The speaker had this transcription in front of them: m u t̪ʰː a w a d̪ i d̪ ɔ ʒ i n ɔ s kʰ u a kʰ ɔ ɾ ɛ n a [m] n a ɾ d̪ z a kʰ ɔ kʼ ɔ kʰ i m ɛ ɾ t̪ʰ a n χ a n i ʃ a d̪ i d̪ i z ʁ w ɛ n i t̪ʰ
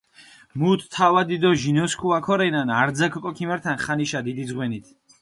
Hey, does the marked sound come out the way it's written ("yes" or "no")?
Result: no